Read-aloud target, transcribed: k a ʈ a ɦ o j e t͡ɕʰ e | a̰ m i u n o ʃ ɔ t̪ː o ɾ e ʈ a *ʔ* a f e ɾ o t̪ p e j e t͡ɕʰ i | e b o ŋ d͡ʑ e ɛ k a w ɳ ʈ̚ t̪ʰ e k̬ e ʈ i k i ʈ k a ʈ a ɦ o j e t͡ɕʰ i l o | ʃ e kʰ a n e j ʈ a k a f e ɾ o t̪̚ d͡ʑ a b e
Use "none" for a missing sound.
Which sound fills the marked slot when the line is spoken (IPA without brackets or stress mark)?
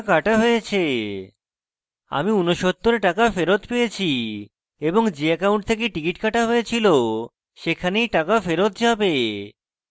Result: k